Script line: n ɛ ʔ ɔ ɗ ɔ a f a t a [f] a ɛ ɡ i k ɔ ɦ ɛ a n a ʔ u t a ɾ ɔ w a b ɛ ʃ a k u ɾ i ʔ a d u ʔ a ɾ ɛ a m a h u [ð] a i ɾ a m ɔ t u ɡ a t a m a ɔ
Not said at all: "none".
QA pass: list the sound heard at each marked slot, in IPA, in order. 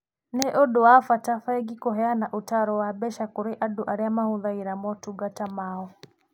f, ð

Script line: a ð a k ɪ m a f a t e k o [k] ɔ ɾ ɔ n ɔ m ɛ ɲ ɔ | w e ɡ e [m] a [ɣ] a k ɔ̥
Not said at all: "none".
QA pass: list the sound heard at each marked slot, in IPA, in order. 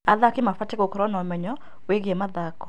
k, m, ð

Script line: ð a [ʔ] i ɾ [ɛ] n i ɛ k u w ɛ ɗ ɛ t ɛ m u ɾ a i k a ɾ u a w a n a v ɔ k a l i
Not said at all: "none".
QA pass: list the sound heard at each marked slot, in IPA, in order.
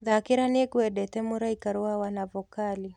k, a

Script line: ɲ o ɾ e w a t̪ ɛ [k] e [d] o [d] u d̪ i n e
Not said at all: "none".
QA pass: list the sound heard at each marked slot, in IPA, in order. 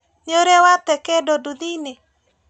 k, d, d

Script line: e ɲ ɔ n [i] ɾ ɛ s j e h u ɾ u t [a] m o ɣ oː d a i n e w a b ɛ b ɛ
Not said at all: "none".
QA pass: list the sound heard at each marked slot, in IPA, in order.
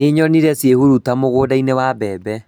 i, a

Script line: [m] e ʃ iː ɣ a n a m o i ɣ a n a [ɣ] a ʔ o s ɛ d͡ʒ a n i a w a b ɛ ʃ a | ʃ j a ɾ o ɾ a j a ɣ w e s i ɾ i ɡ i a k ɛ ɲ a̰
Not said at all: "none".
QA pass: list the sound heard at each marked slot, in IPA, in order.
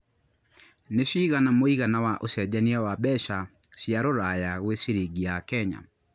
n, w

